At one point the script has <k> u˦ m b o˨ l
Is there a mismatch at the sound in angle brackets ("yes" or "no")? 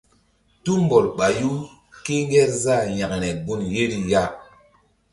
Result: yes